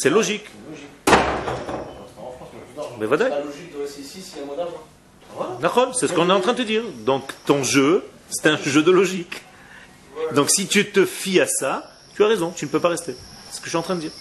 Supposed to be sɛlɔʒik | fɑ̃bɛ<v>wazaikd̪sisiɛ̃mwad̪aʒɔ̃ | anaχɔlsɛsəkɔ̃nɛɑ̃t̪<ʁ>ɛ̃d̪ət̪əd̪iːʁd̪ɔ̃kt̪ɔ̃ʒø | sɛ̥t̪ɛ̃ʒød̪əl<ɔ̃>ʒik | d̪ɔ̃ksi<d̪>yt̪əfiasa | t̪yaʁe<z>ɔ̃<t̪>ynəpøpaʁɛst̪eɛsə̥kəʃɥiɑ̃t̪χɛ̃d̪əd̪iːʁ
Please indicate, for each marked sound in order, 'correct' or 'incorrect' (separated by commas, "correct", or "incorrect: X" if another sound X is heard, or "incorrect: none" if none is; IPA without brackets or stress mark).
correct, incorrect: χ, incorrect: ɔ, incorrect: t̪, correct, correct